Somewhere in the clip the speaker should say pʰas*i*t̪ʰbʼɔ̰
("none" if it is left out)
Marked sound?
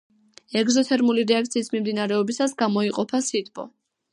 i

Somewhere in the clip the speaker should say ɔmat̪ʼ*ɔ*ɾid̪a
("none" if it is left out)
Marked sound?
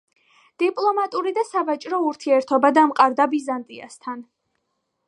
u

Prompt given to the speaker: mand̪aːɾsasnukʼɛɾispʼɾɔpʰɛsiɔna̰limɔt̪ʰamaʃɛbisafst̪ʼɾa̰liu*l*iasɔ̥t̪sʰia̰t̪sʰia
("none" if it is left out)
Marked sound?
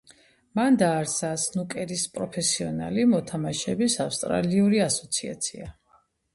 ɾ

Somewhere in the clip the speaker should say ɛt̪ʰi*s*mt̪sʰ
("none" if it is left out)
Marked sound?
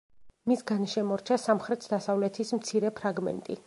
s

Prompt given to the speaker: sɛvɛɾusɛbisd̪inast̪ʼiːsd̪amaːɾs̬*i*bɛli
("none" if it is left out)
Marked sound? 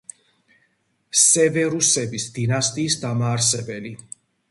ɛ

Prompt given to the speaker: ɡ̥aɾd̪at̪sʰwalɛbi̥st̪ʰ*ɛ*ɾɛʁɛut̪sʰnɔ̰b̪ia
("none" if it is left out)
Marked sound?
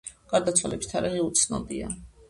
a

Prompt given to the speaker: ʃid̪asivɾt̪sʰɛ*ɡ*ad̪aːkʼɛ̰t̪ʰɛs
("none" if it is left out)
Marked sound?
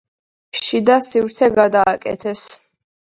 ɡ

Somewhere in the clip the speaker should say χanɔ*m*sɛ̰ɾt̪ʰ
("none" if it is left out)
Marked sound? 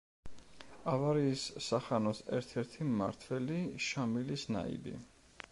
none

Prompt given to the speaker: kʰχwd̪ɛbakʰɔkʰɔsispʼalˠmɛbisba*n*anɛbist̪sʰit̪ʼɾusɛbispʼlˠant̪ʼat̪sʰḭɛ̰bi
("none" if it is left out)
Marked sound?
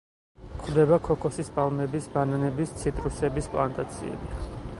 n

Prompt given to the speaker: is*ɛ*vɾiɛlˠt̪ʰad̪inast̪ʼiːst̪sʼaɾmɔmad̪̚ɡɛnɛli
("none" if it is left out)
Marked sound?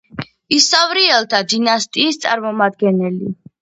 a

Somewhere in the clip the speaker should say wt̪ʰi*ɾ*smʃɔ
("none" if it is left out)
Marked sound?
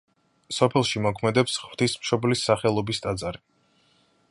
none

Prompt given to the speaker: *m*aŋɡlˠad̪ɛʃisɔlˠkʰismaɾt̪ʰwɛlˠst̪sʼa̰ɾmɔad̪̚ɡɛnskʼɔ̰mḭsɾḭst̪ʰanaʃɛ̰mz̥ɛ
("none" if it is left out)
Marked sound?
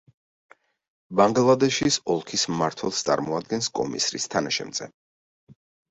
b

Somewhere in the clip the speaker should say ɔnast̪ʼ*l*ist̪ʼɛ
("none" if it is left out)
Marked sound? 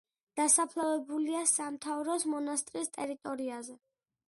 ɾ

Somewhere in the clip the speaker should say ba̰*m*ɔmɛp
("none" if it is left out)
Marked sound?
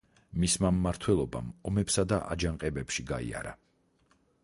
m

